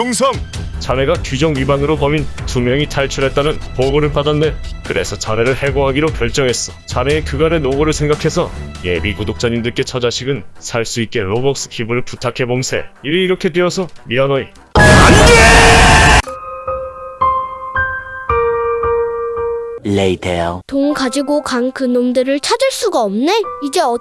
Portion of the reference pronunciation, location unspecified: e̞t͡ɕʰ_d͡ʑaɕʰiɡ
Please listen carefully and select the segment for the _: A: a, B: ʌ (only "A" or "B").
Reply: B